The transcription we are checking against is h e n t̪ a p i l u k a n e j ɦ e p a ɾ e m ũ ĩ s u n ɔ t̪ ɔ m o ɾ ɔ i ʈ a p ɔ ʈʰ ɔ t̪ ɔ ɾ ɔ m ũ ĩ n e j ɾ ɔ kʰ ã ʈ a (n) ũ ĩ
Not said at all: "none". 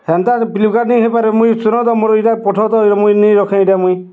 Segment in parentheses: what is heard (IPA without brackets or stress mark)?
m